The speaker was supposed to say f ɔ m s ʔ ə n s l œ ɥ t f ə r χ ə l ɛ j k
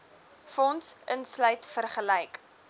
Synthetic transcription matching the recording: f ɔ n s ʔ ə n s l œ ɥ t f ə r χ ə l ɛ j k